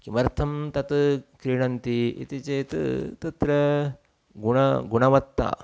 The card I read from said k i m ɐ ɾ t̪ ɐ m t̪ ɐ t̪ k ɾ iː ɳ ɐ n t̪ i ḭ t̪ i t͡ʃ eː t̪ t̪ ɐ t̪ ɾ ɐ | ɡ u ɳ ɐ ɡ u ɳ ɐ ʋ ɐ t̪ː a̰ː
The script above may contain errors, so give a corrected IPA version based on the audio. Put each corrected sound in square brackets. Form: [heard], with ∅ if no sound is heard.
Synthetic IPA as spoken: k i m ɐ ɾ [t̪ʰ] ɐ m t̪ ɐ t̪ k ɾ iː ɳ ɐ n t̪ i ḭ t̪ i t͡ʃ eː t̪ t̪ ɐ t̪ ɾ ɐ | ɡ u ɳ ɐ ɡ u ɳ ɐ ʋ ɐ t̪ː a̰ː